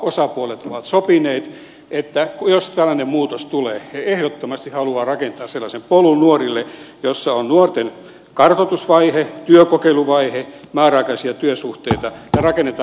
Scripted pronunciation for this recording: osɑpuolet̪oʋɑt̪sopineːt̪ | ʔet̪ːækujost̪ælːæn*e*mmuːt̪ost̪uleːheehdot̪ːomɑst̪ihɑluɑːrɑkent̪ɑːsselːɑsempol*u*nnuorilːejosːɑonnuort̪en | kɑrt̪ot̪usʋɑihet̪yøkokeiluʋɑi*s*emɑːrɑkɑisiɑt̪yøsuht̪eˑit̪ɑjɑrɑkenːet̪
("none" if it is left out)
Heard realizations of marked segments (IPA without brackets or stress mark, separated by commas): e, u, h